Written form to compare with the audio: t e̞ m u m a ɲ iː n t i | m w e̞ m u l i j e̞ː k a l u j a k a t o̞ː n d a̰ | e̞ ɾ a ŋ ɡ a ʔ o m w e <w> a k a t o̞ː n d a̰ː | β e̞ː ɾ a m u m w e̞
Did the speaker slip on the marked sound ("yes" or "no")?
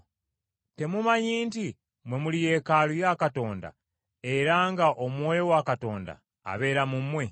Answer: no